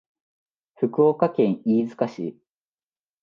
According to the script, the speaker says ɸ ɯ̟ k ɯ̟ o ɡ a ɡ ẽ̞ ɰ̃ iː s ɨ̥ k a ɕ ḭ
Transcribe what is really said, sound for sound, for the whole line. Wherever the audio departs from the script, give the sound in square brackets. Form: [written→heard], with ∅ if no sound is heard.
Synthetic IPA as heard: ɸ ɯ̟ k ɯ̟ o [ɡ→k] a [ɡ→k] ẽ̞ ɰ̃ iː [s→z] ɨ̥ k a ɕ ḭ